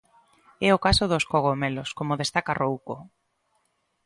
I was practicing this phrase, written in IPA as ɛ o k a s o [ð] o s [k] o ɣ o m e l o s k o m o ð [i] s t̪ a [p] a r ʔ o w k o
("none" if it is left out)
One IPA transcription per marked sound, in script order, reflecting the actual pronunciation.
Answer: ð, k, e, k

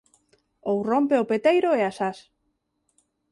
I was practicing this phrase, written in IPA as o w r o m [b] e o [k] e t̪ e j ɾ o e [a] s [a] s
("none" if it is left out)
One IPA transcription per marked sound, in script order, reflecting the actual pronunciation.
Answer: p, p, a, a

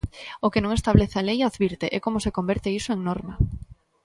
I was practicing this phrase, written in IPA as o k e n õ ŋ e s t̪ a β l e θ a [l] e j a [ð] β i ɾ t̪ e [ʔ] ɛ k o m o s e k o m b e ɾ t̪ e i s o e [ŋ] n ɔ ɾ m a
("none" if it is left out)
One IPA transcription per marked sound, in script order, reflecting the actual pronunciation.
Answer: l, ð, ʔ, ŋ

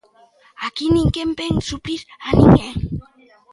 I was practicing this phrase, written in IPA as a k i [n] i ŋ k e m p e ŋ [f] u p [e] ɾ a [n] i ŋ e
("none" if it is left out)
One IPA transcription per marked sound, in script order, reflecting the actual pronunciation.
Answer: n, s, i, n

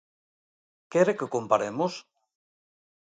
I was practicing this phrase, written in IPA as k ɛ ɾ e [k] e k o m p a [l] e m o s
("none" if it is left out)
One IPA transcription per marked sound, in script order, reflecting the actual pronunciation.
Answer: k, ɾ

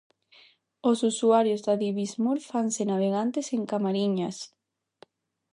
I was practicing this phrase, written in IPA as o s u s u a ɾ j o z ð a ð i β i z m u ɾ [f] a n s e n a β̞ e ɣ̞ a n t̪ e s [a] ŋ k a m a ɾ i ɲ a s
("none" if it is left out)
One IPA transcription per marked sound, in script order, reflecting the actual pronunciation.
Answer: f, e

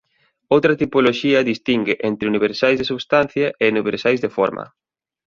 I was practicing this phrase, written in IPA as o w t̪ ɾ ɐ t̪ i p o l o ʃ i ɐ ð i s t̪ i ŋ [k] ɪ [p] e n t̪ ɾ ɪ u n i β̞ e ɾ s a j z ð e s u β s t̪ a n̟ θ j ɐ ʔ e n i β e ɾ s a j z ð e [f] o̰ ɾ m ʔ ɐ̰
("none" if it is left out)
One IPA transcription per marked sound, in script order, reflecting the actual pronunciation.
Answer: ɡ, ʔ, f

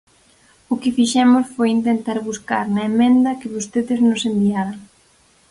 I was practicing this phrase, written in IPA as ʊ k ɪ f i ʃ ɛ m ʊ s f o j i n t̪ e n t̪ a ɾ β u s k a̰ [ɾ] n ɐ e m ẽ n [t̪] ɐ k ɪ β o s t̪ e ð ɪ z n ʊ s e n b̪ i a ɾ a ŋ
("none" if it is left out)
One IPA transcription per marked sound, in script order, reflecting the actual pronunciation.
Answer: ɾ, d̪

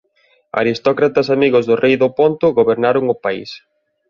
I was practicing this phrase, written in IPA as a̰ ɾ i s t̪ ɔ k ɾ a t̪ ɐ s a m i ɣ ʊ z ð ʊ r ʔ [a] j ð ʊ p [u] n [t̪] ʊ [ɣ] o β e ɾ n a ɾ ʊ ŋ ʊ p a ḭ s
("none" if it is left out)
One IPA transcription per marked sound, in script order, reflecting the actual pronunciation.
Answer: e, o, t̪, ɣ

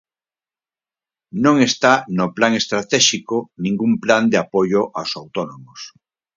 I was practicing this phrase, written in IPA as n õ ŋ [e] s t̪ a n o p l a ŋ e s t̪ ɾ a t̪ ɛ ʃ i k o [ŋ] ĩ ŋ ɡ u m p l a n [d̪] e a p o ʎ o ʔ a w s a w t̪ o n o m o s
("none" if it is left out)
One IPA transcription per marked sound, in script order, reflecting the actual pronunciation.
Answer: e, n, d̪

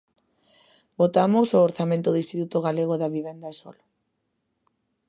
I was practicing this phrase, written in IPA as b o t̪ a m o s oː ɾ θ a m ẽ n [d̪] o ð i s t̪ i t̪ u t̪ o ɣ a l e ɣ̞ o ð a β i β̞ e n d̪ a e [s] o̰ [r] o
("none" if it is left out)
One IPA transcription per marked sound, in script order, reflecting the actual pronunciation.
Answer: t̪, s, l

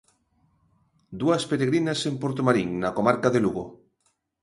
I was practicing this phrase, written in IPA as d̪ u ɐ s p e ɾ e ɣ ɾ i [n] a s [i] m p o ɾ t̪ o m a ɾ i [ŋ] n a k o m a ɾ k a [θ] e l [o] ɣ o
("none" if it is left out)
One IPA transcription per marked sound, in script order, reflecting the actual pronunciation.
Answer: n, e, ŋ, ð, u

